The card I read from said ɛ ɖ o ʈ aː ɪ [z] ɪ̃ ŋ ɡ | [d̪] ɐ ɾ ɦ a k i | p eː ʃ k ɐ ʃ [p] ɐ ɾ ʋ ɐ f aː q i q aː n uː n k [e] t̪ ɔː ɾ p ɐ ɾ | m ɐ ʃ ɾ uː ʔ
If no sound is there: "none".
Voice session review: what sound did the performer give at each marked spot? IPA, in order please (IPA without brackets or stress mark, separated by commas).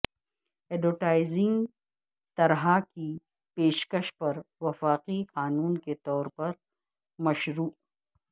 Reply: z, t̪, p, e